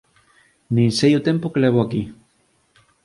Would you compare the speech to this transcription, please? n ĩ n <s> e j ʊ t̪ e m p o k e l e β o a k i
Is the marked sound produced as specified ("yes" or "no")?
yes